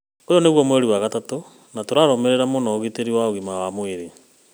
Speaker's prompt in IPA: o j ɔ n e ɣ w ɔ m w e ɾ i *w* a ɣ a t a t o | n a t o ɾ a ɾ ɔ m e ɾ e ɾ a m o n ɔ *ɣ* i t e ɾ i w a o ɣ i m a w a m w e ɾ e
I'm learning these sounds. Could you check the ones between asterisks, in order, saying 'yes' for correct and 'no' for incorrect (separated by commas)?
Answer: yes, yes